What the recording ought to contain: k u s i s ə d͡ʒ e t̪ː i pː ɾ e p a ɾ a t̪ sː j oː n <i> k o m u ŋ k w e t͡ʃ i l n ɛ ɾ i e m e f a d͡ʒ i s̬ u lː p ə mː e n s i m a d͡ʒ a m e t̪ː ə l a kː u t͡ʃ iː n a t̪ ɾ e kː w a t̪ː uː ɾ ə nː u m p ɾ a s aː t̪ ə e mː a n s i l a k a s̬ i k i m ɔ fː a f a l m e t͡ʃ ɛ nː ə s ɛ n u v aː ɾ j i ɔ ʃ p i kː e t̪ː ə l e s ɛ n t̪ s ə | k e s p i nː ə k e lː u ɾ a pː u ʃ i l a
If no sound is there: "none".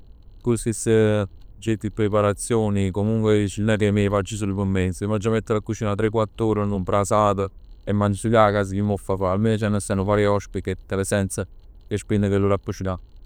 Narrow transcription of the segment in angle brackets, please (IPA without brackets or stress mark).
i